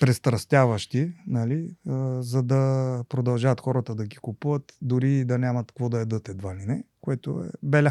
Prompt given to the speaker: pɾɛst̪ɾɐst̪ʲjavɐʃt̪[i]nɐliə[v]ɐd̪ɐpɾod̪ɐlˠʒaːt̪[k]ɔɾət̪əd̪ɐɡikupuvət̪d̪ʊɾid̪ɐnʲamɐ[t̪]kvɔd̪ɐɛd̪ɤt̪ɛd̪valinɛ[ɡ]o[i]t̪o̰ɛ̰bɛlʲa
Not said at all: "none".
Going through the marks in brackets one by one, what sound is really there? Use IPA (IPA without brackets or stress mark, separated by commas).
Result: i, z, x, t̪, k, ɛ